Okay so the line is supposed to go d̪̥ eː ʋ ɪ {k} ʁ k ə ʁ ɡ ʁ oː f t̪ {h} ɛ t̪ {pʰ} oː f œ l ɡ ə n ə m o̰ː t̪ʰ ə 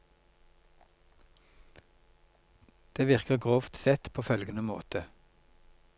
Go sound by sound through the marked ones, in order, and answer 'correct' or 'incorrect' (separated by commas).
incorrect, incorrect, correct